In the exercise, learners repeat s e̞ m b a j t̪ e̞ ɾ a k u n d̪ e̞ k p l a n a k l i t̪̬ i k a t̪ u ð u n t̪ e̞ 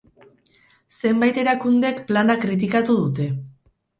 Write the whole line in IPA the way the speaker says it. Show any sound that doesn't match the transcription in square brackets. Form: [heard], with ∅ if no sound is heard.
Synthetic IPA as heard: s e̞ m b a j t̪ e̞ ɾ a k u n d̪ e̞ k p l a n a k [ɾ] i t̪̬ i k a t̪ u ð u [∅] t̪ e̞